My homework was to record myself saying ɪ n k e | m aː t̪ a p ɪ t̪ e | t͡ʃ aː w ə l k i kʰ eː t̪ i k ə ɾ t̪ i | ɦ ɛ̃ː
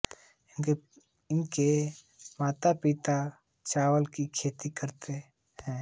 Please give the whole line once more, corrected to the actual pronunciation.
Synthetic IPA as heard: ɪ n k e | m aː t̪ a p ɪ t̪ a | t͡ʃ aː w ə l k i kʰ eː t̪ i k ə ɾ t̪ e | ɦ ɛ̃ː